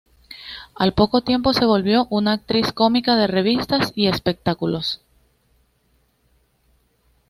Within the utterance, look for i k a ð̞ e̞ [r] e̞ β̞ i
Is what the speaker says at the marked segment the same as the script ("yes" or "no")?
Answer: yes